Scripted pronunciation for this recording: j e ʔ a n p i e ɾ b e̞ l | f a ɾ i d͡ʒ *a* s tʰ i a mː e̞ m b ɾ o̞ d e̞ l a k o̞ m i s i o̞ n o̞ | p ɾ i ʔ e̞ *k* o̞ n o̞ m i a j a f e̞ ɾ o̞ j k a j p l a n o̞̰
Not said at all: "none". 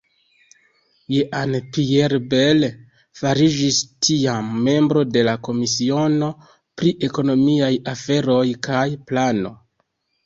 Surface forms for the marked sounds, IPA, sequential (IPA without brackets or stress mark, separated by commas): i, k